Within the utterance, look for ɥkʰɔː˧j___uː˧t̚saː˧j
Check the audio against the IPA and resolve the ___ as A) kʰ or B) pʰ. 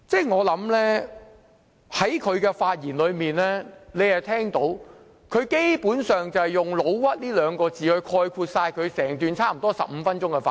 A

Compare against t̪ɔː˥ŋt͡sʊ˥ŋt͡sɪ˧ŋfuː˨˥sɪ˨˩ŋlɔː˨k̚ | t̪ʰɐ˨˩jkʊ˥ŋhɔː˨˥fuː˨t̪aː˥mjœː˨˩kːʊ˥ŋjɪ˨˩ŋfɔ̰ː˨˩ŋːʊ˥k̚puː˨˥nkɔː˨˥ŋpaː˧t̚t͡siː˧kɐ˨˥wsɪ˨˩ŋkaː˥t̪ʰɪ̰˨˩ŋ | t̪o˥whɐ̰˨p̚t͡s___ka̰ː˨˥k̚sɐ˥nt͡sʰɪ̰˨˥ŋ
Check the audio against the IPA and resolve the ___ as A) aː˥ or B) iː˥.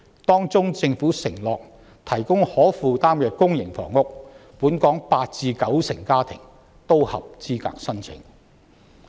B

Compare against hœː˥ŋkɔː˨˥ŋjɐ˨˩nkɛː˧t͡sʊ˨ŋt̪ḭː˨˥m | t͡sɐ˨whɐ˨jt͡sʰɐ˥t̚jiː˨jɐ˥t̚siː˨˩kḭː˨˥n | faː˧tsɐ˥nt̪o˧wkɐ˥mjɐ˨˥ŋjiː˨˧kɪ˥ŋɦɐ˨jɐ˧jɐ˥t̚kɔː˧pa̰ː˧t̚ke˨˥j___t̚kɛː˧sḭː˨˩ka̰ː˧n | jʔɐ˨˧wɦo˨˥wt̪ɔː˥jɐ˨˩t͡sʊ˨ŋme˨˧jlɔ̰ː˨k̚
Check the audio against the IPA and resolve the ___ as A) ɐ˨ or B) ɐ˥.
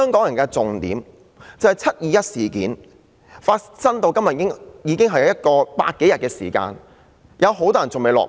A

